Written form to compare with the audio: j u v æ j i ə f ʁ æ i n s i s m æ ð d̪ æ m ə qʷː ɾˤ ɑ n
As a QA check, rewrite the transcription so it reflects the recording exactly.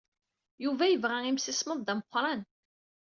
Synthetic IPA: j u v æ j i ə v ʁ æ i m s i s m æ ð d̪ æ m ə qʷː ɾˤ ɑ n